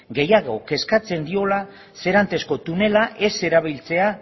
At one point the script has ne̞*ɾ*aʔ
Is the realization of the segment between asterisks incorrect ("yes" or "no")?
yes